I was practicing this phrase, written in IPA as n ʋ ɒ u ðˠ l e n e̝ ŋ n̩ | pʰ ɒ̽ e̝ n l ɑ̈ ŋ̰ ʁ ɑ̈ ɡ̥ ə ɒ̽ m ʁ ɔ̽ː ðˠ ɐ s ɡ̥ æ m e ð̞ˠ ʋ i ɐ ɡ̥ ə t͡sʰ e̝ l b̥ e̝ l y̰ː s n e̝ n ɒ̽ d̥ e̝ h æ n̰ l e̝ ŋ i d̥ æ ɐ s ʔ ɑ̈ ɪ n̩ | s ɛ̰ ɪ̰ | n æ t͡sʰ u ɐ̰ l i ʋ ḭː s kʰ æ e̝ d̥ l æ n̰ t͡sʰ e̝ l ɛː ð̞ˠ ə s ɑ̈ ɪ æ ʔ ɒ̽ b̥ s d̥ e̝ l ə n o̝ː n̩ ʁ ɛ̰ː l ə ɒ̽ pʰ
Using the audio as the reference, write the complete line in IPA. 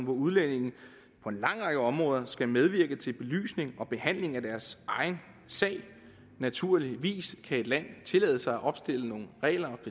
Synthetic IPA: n ʋ ɒ u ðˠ l e n e̝ ŋ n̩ | pʰ ɒ̽ e̝ n l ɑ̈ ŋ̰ ʁ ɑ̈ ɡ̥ ə ɒ̽ m ʁ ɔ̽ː ðˠ ɐ s ɡ̥ æ m e ð̞ˠ ʋ i ɐ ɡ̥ ə t͡sʰ e̝ l b̥ e̝ l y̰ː s n e̝ ŋ ɒ̽ b̥ e̝ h æ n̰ l e̝ ŋ æ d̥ æ ɐ s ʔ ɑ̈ ɪ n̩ | s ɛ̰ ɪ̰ | n æ t͡sʰ u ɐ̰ l i ʋ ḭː s kʰ æ e̝ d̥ l æ n̰ t͡sʰ e̝ l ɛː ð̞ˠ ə s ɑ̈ ɪ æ ʔ ɒ̽ b̥ s d̥ e̝ l ə n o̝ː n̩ ʁ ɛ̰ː l ɐ ɒ̽ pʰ

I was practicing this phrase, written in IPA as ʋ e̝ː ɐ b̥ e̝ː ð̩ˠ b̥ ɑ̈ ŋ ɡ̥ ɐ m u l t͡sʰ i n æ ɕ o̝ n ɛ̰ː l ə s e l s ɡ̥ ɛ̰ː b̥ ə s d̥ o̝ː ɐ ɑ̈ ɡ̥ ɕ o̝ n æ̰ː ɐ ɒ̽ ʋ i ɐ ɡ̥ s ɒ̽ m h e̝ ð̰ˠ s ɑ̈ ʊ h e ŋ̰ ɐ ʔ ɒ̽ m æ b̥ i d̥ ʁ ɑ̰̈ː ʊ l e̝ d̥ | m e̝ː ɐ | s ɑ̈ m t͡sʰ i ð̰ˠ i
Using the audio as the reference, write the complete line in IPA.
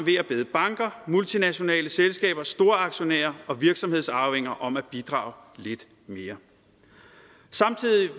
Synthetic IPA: ʋ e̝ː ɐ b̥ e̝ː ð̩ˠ b̥ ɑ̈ ŋ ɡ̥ ɐ m u l t͡sʰ i n æ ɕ o̝ n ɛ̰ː l ə s e l s ɡ̥ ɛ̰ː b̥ ɐ s d̥ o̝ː ɐ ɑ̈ ɡ̥ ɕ o̝ n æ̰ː ɐ ɒ̽ ʋ i ɐ ɡ̥ s ɒ̽ m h e̝ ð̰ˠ s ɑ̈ ʊ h e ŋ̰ ɐ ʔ ɒ̽ m æ b̥ i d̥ ʁ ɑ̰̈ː ʊ l e̝ d̥ | m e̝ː ɐ | s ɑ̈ m t͡sʰ i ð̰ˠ i

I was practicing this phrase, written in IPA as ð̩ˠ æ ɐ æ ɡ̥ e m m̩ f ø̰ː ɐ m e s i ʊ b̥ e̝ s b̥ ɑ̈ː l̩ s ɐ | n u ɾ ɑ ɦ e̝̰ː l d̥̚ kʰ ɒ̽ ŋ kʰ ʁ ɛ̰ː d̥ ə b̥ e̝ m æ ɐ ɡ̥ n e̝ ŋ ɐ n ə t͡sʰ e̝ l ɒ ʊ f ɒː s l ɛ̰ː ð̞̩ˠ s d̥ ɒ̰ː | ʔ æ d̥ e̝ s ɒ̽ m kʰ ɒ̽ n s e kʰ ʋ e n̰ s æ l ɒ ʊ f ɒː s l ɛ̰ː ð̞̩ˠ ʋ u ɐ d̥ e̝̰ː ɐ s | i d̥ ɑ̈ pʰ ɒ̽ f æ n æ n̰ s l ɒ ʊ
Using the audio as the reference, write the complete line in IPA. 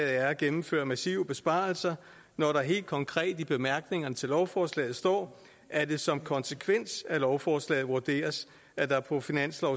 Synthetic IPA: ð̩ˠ æ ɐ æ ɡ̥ e m m̩ f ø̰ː ɐ m æ s i ʊ b̥ e̝ s b̥ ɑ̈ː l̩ s ɐ | n ɒ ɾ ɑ ɦ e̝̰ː l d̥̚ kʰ ɒ̽ ŋ kʰ ʁ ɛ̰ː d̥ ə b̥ e̝ m æ ɐ ɡ̥ n e̝ ŋ ɐ n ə t͡sʰ e̝ l ɒ ʊ f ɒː s l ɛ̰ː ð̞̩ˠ s d̥ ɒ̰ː | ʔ æ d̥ e̝ s ɒ̽ m kʰ ɒ̽ n s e kʰ ʋ e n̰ s æ l ɒ ʊ f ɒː s l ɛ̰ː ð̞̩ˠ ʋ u ɐ d̥ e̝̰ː ɐ s | æ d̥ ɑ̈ pʰ ɒ̽ f i n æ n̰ s l ɒ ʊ

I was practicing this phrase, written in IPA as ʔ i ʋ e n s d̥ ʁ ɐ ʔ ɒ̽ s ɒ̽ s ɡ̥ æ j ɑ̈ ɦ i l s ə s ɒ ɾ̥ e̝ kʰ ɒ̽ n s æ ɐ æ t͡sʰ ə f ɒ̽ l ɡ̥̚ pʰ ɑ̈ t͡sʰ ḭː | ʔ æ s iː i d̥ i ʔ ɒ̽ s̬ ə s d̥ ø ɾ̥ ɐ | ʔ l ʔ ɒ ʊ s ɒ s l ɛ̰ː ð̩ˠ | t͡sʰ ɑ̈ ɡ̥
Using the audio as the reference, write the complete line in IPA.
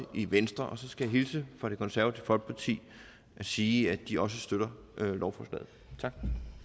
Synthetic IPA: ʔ i ʋ e n s d̥ ʁ ɐ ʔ ɒ̽ s ɒ̽ s ɡ̥ æ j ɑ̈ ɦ i l s ə f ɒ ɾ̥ e̝ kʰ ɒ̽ n s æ ɐ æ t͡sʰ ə f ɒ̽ l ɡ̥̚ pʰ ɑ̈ t͡sʰ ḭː | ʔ æ s iː æ d̥ i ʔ ɒ̽ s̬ ə s d̥ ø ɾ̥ ɐ | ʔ l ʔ ɒ ʊ f ɒ s l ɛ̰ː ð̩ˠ | t͡sʰ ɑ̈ ɡ̥

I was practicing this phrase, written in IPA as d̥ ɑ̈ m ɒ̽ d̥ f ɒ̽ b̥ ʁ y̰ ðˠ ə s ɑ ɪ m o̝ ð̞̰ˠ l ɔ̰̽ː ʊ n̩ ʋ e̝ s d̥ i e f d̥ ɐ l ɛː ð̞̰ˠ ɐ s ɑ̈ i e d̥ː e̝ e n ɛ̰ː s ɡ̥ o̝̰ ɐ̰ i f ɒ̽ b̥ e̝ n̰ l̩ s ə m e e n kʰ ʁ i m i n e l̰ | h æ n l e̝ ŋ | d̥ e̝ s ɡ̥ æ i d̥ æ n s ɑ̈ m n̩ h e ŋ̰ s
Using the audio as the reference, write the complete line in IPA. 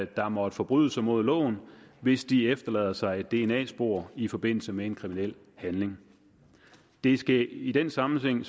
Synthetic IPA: d̥ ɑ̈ m ɒ̽ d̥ f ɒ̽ b̥ ʁ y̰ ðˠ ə s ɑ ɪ m o̝ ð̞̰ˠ l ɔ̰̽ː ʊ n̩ ʋ e̝ s d̥ i e f d̥ ɐ l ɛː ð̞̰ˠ ɐ s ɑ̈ ɪ e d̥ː e̝ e n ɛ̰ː s b̥ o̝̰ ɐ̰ i f ɒ̽ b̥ e̝ n̰ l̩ s ə m e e n kʰ ʁ i m i n e l̰ | h æ n l e̝ ŋ | d̥ e̝ s ɡ̥ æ i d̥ e n s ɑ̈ m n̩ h e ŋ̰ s

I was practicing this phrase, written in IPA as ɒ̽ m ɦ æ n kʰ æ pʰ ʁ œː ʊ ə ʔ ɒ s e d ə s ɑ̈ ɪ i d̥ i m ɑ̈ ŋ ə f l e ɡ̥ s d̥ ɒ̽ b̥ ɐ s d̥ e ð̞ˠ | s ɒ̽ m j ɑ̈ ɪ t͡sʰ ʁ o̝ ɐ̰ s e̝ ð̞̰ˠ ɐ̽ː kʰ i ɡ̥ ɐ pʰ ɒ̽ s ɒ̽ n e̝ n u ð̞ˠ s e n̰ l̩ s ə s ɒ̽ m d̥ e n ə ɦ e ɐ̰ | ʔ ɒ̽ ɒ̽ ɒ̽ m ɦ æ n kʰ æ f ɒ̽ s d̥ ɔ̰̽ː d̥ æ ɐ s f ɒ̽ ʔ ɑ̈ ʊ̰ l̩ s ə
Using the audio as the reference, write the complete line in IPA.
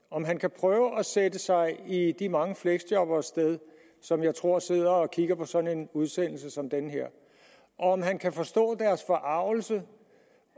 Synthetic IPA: ɒ̽ m ɦ æ n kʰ æ pʰ ʁ œː ʊ ə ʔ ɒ s e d ə s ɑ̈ ɪ i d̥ i m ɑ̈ ŋ ə f l e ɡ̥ s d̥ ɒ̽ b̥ ɐ s d̥ e ð̞ˠ | s ɒ̽ m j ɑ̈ ɪ t͡sʰ ʁ o̝ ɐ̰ s e̝ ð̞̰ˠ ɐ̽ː kʰ i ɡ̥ ɐ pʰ ɒ̽ s ɒ̽ n e̝ n u ð̞ˠ s e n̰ l̩ s ə s ɒ̽ m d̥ e n ə ɦ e ɐ̰ | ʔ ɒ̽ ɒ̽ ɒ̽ m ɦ æ n kʰ æ f ɒ̽ s d̥ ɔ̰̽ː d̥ æ ɐ s f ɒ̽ ʔ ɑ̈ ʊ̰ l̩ s ə

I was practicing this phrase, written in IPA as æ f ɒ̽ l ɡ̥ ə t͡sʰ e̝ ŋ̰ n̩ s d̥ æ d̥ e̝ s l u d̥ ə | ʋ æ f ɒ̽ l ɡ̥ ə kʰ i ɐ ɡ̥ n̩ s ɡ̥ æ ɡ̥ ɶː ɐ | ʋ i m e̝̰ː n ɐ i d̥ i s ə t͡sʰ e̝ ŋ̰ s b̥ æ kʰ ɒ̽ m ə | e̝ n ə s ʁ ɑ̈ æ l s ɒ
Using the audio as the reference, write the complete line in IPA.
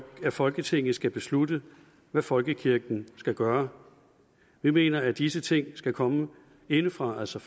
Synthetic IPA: æ f ɒ̽ l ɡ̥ ə t͡sʰ e̝ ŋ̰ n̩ s ɡ̥ æ b̥ e̝ s l u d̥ ə | ʋ æ f ɒ̽ l ɡ̥ ə kʰ i ɐ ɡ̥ n̩ s ɡ̥ æ ɡ̥ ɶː ɐ | ʋ i m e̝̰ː n ɐ æ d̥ i s ə t͡sʰ e̝ ŋ̰ s ɡ̥ æ kʰ ɒ̽ m ə | e̝ n ə f ʁ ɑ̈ æ l s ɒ

